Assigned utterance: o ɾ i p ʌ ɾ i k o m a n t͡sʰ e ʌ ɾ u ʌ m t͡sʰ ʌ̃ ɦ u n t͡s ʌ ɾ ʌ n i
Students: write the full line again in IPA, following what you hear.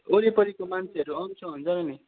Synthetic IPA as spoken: o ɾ i p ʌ ɾ i k o m a n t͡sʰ e ʌ ɾ u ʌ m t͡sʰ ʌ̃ ɦ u n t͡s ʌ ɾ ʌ n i